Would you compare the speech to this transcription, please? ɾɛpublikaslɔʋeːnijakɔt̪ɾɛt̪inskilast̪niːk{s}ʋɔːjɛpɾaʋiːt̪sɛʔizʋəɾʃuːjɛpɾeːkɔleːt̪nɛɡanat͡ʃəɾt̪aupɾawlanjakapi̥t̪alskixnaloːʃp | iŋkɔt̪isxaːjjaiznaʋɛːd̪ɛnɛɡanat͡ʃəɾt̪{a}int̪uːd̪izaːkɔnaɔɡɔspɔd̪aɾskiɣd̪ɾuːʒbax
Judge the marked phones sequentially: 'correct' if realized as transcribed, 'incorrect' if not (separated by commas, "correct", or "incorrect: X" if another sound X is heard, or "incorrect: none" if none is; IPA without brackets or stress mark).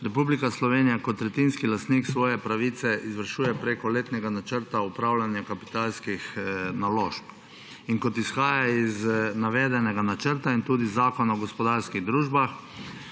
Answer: correct, correct